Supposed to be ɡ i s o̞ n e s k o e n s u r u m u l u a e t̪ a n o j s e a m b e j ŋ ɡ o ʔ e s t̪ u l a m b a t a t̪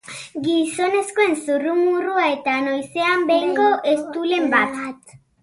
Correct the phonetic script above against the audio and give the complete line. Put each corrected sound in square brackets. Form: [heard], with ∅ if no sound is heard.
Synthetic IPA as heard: ɡ i s o̞ n e s k o e n s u r u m u [r] u a e t̪ a n o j s e a m b e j ŋ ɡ o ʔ e s t̪ u l [e] m b a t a t̪